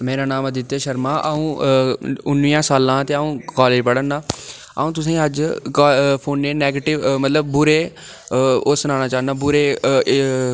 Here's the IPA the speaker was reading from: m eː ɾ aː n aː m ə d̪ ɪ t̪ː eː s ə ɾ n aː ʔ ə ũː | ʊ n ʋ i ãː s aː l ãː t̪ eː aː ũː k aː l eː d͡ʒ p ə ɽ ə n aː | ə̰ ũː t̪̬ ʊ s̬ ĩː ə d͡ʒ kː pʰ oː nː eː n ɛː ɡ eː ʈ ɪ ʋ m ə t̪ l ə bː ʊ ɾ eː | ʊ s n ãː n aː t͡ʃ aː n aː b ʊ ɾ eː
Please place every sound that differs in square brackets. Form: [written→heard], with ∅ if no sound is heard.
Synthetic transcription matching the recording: m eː ɾ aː n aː m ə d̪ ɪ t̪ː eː [s→ʃ] ə ɾ [n→m] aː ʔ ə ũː | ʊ n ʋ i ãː s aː l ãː t̪ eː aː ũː k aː l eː d͡ʒ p ə ɽ ə n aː | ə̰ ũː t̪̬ ʊ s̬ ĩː ə d͡ʒ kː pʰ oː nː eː n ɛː ɡ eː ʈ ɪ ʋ m ə t̪ l ə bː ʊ ɾ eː | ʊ s n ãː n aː t͡ʃ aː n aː b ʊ ɾ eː